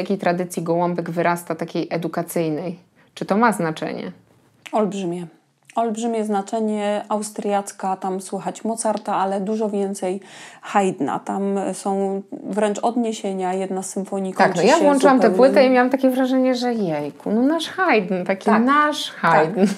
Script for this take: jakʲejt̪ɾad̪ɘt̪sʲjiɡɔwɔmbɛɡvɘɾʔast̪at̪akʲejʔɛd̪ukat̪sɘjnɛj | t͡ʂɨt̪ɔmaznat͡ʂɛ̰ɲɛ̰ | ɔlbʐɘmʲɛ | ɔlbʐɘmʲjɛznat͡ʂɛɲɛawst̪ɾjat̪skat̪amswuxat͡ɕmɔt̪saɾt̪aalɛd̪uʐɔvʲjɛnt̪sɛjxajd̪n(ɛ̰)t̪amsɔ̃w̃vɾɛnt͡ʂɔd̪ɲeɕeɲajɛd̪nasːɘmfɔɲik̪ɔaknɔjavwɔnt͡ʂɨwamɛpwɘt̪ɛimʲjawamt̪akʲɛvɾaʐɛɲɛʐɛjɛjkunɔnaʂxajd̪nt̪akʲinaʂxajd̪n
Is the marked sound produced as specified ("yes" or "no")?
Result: no